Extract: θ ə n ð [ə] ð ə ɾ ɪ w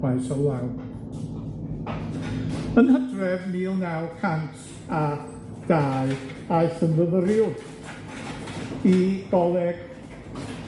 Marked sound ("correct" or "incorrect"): correct